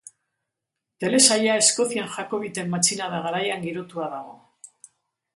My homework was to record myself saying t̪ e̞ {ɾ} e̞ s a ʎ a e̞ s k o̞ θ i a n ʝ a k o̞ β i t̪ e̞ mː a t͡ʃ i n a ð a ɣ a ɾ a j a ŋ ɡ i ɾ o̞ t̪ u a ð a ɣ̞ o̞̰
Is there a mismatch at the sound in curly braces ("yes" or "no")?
yes